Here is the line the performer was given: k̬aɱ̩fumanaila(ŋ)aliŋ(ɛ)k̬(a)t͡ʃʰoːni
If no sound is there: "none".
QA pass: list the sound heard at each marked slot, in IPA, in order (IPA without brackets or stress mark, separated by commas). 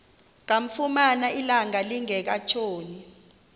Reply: ŋ, ɛ, a